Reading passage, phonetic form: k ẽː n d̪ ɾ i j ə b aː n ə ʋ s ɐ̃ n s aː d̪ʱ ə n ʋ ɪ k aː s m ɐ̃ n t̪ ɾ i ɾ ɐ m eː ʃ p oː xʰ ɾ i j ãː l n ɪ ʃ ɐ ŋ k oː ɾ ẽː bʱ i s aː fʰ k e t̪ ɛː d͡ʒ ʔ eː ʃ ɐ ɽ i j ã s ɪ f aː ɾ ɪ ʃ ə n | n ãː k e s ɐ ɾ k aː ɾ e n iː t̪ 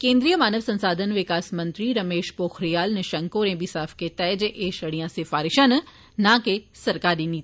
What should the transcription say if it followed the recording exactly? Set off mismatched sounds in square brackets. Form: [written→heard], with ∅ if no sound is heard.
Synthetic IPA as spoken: k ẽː n d̪ ɾ i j ə [b→m] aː n ə ʋ s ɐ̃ n s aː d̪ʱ ə n ʋ ɪ k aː s m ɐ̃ n t̪ ɾ i ɾ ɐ m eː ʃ p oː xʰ ɾ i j [ãː→aː] l n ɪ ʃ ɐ ŋ k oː ɾ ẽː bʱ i s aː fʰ k e t̪ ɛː d͡ʒ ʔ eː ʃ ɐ ɽ i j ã s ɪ f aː ɾ ɪ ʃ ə n | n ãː k e s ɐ ɾ k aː ɾ [e→i] n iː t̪